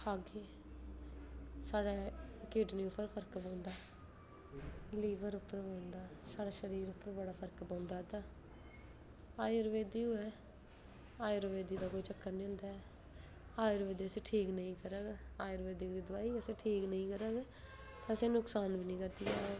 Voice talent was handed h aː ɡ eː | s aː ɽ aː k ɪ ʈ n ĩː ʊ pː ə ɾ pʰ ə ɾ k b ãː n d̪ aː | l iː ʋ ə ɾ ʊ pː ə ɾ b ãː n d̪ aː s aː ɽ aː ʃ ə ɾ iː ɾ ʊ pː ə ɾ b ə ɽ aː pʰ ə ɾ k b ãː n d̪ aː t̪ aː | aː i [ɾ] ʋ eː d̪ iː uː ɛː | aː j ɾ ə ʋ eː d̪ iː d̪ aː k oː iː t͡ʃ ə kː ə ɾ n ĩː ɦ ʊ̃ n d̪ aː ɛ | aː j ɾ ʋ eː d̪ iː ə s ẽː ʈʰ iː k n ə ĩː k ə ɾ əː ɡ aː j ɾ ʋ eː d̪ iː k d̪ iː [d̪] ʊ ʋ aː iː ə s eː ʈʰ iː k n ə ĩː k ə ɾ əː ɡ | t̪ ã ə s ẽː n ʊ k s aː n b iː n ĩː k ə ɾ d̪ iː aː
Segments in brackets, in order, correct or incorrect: correct, correct

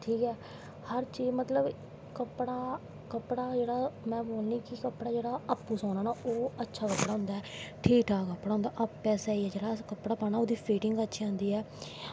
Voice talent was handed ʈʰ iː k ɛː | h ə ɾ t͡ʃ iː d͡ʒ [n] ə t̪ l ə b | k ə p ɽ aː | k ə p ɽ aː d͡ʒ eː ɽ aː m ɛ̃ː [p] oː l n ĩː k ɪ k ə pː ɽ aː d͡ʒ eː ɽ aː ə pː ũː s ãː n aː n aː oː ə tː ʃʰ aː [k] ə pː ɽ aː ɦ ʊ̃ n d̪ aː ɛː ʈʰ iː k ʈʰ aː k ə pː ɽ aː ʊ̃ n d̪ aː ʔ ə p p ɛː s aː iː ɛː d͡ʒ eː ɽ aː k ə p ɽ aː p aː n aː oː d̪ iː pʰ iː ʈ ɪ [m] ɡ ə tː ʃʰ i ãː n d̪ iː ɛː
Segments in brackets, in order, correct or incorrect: incorrect: m, incorrect: b, correct, incorrect: ŋ

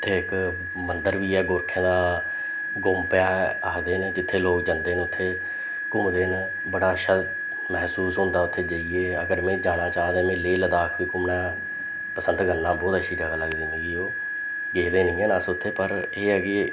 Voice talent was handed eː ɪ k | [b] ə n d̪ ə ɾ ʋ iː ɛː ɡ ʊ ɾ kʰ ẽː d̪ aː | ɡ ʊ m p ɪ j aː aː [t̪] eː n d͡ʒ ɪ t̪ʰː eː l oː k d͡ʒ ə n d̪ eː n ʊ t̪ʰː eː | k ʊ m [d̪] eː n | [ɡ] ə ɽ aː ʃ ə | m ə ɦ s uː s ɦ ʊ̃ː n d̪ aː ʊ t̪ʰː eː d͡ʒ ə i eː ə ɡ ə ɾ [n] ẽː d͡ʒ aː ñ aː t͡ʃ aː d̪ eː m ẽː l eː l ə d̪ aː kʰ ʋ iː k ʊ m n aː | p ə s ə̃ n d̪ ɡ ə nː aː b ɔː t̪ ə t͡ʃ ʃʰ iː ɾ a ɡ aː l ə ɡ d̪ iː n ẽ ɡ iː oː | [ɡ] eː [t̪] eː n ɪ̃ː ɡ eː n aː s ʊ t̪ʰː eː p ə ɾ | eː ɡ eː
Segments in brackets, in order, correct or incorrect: incorrect: m, incorrect: d̪, correct, incorrect: b, incorrect: m, correct, incorrect: d̪

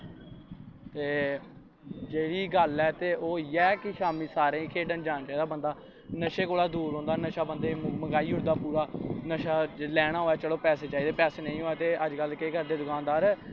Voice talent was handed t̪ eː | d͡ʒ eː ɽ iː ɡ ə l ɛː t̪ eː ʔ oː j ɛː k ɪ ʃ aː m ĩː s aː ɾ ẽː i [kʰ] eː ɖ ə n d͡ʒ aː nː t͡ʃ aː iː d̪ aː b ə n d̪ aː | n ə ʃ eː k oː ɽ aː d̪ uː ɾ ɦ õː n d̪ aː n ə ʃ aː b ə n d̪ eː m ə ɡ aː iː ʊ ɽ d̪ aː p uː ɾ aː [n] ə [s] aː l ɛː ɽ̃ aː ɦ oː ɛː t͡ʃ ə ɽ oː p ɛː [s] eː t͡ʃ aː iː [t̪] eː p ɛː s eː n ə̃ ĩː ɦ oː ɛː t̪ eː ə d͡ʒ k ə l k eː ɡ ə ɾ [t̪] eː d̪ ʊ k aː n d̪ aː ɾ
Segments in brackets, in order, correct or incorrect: correct, correct, incorrect: ʃ, correct, incorrect: d̪, incorrect: d̪

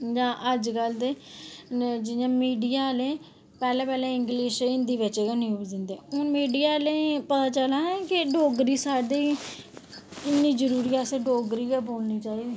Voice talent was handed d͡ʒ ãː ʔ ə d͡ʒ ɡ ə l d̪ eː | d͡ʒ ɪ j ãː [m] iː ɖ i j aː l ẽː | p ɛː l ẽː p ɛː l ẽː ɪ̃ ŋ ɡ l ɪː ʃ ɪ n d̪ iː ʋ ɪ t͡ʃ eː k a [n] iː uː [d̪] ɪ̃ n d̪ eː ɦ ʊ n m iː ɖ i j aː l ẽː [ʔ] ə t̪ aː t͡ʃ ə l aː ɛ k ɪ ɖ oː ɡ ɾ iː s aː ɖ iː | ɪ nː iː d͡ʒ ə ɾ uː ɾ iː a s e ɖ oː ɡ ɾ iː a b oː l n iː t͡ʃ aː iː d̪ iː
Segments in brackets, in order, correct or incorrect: correct, correct, correct, incorrect: p

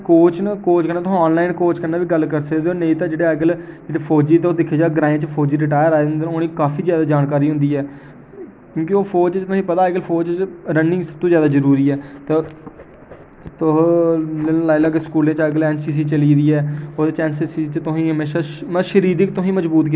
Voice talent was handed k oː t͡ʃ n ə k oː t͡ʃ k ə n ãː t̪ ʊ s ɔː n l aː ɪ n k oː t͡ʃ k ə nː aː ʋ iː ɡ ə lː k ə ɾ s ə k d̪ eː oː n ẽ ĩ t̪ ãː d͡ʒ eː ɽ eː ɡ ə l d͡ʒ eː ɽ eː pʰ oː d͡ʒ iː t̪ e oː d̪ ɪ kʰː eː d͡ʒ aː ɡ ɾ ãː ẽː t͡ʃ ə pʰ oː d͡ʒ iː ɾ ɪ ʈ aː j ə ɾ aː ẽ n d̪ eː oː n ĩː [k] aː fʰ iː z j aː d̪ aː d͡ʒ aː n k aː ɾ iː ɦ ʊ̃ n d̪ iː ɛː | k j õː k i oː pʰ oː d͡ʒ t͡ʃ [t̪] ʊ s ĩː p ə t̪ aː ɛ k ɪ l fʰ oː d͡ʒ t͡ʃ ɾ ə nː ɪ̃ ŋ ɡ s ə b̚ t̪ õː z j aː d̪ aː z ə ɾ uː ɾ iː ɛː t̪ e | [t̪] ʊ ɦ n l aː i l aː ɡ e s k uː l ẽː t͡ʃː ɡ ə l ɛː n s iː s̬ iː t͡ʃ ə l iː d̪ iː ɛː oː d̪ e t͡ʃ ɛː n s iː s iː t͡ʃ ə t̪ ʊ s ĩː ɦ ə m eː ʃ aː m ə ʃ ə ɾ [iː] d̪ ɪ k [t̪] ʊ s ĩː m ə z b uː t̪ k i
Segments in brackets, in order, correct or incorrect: correct, correct, correct, correct, correct

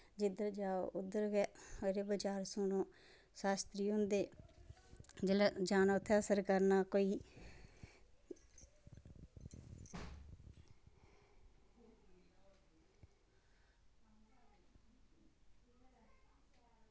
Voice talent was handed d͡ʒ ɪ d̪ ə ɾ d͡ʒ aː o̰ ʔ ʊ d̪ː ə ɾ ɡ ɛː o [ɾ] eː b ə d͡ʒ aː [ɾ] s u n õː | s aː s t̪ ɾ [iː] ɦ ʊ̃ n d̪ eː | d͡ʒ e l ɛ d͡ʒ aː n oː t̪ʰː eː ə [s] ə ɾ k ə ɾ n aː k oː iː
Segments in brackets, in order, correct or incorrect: correct, correct, correct, correct

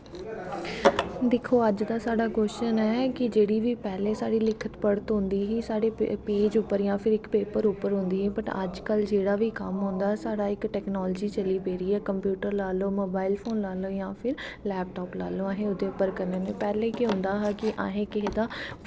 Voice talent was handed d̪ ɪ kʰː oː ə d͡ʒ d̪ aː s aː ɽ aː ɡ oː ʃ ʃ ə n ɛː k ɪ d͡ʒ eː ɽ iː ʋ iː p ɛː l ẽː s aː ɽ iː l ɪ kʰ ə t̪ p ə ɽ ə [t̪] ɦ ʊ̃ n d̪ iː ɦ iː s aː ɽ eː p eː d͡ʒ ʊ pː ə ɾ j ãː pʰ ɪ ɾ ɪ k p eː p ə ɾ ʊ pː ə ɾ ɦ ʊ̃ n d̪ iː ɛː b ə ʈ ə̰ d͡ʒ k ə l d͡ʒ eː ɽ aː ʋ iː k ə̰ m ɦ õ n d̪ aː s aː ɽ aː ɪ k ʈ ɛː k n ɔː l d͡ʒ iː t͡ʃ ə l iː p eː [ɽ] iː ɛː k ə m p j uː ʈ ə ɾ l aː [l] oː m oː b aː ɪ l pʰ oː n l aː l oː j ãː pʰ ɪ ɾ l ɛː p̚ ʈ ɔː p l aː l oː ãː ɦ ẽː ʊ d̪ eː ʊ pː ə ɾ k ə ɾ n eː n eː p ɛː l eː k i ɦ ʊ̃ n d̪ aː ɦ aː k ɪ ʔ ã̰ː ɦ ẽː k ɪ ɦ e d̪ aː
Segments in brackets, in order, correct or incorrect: correct, incorrect: ɾ, correct

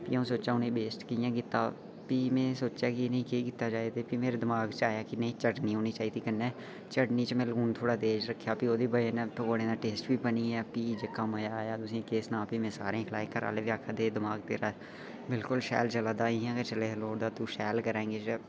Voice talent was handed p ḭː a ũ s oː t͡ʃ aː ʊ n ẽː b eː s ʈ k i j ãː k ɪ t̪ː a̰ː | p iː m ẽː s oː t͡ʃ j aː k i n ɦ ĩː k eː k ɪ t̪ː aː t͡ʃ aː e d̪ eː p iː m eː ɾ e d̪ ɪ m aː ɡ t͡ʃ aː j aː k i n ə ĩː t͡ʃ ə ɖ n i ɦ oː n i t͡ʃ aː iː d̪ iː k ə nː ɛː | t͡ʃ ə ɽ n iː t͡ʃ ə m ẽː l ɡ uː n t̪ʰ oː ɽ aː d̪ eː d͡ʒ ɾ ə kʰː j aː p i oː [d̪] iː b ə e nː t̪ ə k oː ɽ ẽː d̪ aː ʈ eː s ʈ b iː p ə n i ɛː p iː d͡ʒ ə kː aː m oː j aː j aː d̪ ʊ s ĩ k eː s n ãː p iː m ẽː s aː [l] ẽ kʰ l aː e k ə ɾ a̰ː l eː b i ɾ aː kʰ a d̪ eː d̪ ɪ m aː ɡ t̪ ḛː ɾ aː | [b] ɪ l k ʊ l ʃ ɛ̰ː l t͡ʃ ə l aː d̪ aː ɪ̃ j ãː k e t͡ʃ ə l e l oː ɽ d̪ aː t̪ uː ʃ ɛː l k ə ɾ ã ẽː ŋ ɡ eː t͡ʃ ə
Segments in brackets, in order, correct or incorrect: correct, incorrect: ɾ, correct

